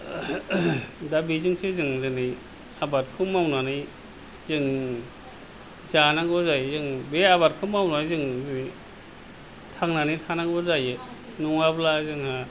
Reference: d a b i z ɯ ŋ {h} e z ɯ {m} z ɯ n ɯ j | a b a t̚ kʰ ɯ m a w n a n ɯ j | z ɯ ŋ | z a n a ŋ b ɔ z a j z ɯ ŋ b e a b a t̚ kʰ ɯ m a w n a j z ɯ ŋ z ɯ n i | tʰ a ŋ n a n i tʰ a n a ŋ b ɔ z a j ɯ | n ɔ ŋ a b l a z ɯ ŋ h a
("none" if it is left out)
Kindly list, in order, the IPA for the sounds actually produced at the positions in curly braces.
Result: s, ŋ

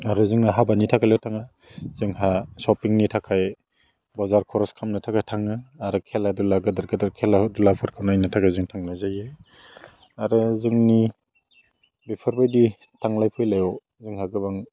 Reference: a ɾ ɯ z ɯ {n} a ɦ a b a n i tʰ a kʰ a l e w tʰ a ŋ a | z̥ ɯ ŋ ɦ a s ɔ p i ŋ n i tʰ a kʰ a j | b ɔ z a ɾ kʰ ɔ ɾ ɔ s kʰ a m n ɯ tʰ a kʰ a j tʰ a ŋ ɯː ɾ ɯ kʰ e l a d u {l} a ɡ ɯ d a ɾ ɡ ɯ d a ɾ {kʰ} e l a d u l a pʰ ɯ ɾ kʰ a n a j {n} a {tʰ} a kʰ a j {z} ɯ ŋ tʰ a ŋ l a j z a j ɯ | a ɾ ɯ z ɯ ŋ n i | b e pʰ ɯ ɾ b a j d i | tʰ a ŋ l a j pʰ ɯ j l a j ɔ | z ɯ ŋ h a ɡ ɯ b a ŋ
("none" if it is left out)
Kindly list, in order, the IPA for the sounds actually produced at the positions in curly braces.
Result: ŋ, l, kʰ, n, tʰ, z

